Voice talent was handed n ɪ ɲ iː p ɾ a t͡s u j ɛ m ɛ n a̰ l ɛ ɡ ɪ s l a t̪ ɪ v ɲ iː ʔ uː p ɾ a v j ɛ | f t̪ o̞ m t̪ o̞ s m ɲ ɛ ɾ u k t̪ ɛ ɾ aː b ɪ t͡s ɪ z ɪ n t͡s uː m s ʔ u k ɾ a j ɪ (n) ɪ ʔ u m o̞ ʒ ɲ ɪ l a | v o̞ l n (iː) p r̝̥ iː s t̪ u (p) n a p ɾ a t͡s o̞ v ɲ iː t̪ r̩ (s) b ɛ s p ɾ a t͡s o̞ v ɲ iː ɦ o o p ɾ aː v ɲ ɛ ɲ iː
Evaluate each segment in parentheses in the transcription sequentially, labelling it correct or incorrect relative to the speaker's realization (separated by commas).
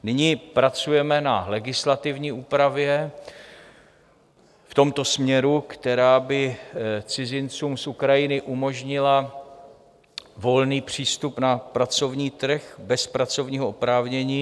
correct, correct, correct, incorrect